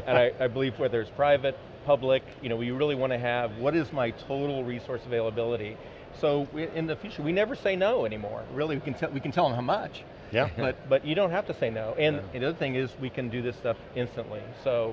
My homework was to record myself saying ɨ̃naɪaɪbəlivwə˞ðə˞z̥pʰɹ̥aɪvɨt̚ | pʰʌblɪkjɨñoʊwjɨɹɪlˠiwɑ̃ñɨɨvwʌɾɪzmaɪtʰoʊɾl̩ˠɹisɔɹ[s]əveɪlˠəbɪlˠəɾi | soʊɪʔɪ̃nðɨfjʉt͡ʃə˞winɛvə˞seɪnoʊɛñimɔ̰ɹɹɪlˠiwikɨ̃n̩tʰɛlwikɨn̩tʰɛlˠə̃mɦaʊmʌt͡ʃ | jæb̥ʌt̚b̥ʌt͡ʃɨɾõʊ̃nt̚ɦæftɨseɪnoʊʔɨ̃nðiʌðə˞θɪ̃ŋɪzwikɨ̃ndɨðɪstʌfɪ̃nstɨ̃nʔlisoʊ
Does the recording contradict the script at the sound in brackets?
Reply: no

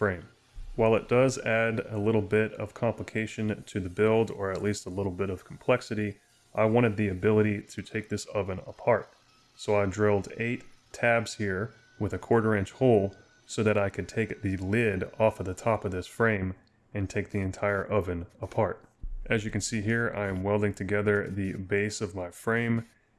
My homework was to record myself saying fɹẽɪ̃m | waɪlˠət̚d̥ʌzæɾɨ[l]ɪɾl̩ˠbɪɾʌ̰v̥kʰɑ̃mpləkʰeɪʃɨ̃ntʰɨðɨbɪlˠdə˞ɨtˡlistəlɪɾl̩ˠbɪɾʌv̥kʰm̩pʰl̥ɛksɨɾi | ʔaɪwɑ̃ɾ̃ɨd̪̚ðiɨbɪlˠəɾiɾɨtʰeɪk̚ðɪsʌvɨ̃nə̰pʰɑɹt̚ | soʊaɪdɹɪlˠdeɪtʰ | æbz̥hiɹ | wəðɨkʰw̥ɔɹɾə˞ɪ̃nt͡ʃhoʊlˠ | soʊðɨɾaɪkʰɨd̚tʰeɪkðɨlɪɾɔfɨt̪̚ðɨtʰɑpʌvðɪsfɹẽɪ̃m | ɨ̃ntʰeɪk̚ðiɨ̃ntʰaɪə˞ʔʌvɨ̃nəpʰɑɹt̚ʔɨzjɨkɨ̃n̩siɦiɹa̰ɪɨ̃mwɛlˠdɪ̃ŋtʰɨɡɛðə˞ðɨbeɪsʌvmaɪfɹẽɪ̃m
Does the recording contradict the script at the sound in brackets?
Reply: no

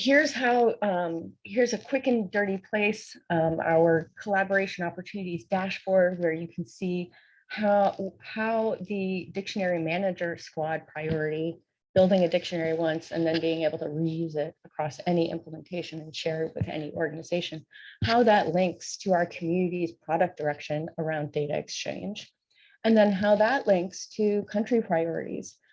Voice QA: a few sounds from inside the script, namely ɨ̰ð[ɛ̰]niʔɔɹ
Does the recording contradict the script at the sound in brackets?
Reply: no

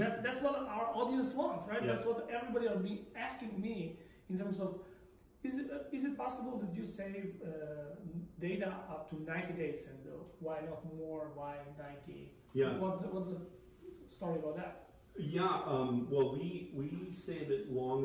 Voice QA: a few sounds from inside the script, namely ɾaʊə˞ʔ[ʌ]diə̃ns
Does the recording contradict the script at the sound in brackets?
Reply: yes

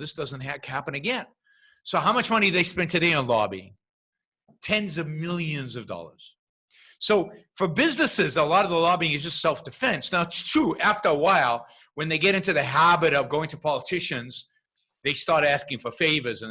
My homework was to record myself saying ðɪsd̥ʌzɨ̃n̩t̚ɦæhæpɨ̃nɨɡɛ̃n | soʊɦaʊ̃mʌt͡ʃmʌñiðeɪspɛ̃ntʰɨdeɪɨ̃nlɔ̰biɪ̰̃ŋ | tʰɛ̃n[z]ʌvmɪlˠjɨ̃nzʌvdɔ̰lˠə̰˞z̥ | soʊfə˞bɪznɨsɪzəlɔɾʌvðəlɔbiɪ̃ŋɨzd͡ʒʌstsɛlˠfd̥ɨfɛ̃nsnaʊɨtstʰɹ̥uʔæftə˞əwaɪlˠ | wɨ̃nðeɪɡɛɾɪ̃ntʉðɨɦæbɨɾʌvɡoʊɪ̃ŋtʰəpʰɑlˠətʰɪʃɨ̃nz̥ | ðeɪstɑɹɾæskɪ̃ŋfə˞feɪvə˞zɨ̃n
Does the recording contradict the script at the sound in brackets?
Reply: no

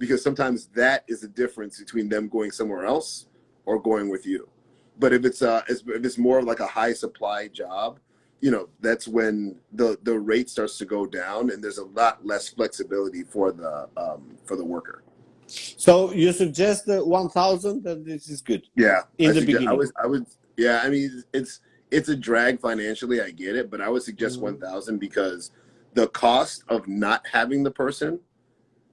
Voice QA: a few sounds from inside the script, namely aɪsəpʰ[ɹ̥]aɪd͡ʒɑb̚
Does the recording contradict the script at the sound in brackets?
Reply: yes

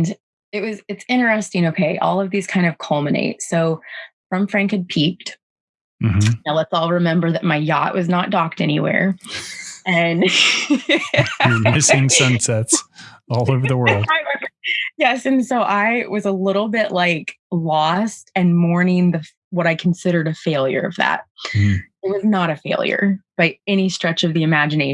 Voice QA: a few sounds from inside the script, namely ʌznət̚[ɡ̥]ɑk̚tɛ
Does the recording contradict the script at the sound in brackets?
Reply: yes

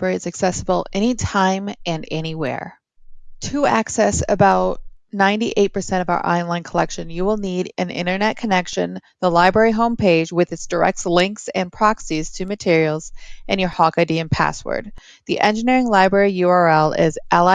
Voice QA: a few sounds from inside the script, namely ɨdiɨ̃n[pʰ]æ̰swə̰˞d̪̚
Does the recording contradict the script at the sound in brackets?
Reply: no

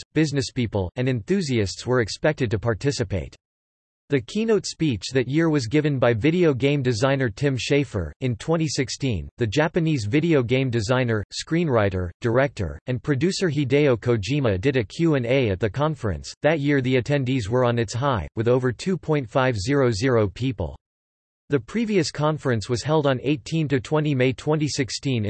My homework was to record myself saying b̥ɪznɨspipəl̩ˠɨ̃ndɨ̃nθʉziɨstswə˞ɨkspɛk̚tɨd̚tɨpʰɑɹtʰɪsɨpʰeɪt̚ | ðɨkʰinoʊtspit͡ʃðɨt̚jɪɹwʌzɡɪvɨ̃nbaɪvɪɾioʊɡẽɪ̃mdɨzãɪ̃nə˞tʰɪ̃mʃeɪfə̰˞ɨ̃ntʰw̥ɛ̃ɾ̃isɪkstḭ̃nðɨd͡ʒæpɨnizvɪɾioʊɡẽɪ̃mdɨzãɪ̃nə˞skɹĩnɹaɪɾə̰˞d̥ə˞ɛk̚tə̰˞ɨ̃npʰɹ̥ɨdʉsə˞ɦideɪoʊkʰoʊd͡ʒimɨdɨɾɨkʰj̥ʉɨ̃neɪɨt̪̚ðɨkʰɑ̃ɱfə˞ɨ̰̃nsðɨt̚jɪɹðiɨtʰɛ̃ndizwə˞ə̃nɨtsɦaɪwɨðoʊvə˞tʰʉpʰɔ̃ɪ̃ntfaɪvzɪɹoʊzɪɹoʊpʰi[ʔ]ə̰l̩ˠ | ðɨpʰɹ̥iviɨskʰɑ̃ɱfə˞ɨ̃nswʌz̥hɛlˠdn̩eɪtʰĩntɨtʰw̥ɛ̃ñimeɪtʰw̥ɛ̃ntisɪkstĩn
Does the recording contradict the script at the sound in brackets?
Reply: yes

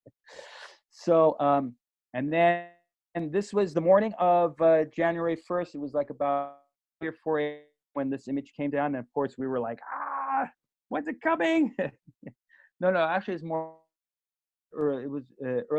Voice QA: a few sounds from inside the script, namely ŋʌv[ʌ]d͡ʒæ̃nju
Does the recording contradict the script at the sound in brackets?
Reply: no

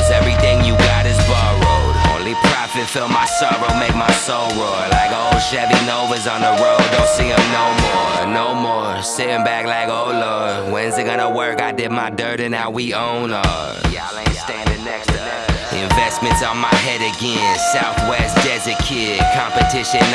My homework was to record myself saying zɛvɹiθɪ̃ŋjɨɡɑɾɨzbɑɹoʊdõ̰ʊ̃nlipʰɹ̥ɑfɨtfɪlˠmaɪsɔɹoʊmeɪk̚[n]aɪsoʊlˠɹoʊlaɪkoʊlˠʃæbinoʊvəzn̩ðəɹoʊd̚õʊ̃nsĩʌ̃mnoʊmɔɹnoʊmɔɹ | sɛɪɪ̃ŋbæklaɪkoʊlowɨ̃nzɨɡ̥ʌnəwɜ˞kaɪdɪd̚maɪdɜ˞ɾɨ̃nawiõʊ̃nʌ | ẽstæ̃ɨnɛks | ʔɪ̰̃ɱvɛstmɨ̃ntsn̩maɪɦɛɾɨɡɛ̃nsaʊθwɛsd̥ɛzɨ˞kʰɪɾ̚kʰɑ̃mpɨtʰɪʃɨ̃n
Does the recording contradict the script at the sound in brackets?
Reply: yes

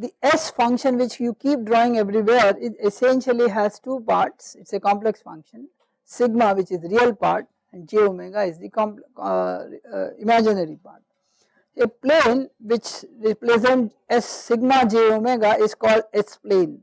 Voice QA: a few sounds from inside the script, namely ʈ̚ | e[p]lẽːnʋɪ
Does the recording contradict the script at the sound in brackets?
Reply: no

